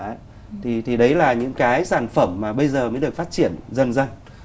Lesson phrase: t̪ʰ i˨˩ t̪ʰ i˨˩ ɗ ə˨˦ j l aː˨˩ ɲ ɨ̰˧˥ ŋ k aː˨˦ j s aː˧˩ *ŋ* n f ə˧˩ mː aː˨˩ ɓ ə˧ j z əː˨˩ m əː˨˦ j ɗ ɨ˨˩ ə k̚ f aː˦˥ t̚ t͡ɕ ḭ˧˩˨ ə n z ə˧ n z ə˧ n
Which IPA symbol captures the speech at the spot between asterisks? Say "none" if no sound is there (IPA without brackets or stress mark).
none